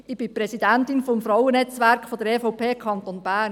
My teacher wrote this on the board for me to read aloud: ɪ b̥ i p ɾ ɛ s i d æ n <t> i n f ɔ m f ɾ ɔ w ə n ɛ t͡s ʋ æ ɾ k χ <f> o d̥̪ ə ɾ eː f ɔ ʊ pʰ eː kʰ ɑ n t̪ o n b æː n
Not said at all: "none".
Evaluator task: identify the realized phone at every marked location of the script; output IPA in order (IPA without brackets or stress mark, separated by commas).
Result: t, f